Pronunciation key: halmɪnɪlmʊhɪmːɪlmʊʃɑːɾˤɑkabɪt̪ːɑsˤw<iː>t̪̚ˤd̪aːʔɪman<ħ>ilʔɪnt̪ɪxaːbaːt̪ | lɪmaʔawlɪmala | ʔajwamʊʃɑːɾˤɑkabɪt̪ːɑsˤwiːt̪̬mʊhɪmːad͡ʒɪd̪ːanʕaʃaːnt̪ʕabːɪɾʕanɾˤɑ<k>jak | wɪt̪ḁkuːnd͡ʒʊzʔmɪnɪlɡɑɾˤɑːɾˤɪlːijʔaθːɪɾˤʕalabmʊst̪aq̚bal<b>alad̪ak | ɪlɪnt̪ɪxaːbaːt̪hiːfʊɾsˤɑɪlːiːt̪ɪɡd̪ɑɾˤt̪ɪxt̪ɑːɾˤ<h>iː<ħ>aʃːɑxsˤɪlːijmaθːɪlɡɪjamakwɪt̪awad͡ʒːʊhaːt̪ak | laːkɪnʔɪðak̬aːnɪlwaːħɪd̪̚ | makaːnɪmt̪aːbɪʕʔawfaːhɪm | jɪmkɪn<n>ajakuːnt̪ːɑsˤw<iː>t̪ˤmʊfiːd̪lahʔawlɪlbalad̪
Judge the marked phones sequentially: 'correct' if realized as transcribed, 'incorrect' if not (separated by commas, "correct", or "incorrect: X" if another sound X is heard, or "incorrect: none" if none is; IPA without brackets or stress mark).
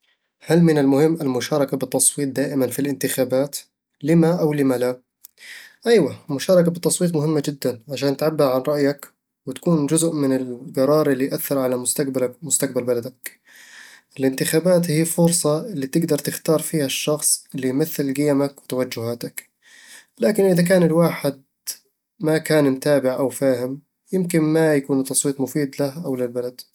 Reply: correct, incorrect: f, incorrect: ʔ, correct, incorrect: f, incorrect: h, incorrect: m, correct